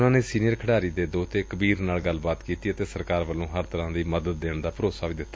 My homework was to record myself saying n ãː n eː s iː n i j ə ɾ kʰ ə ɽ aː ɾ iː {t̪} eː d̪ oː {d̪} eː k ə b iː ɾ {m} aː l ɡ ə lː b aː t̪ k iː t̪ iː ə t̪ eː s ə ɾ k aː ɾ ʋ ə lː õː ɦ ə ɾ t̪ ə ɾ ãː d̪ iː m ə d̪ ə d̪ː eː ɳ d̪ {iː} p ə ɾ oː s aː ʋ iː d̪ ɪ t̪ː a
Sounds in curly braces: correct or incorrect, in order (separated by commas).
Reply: incorrect, incorrect, incorrect, incorrect